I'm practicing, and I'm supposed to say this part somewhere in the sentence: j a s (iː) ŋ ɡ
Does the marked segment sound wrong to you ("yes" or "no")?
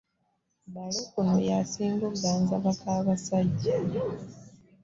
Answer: no